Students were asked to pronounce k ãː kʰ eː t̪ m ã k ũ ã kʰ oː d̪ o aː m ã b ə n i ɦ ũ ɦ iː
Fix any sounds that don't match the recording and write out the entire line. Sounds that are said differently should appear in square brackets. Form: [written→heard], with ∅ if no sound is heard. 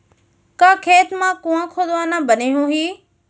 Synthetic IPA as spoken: k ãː kʰ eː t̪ m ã k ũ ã kʰ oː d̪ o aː [m→n] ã b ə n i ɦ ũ ɦ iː